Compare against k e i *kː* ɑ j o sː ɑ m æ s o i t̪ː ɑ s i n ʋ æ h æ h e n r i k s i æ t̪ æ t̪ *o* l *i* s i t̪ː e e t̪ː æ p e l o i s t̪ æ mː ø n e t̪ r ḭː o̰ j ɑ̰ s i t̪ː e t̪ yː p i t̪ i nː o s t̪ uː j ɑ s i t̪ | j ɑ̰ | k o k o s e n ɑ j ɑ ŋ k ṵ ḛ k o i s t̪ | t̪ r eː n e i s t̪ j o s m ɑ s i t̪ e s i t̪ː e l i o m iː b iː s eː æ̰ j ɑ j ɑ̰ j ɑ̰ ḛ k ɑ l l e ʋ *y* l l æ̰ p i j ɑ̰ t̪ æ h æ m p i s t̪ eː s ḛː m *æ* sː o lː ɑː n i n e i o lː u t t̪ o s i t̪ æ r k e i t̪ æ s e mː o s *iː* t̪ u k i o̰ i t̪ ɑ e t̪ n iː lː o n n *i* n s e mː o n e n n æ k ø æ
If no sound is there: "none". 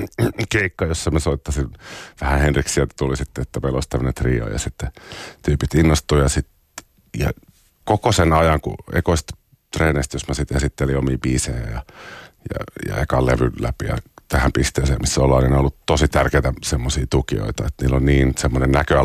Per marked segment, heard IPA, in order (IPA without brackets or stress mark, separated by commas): kː, u, i, y, i, iː, iː